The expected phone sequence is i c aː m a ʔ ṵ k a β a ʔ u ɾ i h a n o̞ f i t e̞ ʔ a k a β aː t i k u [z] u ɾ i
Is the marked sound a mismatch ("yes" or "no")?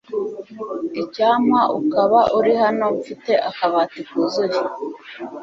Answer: no